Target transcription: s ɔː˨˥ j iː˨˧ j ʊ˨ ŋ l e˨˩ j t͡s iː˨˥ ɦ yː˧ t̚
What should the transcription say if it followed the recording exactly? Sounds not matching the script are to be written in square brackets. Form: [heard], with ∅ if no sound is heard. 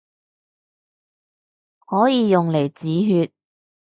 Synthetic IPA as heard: [h] ɔː˨˥ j iː˨˧ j ʊ˨ ŋ l e˨˩ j t͡s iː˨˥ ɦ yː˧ t̚